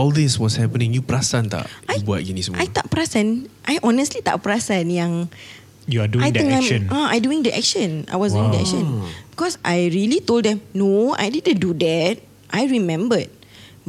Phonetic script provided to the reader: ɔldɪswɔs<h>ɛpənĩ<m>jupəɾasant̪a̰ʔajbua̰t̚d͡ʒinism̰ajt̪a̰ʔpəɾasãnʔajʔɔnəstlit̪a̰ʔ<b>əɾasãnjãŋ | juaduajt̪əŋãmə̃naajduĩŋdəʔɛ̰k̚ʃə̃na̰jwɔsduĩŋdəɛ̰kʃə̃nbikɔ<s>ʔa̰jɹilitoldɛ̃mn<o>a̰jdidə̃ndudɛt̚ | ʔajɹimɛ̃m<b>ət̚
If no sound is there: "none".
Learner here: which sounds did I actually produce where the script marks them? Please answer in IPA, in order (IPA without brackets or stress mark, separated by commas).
h, ŋ, p, s, o, b